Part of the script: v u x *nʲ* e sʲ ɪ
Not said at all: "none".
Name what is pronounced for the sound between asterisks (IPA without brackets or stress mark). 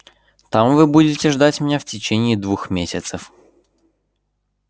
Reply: mʲ